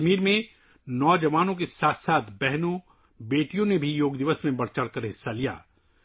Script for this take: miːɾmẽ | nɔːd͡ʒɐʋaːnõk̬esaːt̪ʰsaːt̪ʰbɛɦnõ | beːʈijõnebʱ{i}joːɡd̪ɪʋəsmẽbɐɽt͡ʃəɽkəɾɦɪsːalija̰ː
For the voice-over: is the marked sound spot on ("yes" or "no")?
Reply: yes